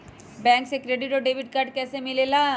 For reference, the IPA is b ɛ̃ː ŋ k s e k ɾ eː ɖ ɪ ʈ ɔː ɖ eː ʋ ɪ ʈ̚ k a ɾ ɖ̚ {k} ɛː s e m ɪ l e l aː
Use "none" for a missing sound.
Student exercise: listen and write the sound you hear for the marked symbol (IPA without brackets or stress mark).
k